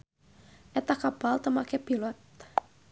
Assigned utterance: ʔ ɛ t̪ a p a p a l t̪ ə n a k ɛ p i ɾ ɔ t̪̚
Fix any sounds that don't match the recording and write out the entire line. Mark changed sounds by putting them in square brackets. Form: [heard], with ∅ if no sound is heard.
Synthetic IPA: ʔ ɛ t̪ a [k] a p a l t̪ ə [m] a k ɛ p i [l] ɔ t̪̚